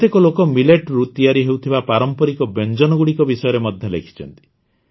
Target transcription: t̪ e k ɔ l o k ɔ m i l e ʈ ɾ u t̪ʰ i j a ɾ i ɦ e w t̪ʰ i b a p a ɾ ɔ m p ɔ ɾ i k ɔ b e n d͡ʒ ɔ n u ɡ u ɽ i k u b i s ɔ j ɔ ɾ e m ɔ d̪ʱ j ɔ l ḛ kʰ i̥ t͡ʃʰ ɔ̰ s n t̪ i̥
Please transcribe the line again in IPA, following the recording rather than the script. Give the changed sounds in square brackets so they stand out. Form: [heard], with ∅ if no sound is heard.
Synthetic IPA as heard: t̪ e k ɔ l o k ɔ m i l e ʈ ɾ u [t̪] i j a ɾ i ɦ e w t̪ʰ i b a p a ɾ ɔ m p ɔ ɾ i k ɔ b e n d͡ʒ ɔ n [ɔ] ɡ u ɽ i k [ɔ] b i s ɔ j ɔ ɾ e m ɔ d̪ʱ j ɔ l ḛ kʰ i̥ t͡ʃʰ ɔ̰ [∅] n t̪ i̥